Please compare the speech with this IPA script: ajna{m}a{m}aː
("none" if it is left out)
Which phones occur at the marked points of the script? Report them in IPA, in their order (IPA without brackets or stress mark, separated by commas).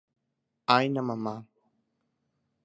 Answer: m, m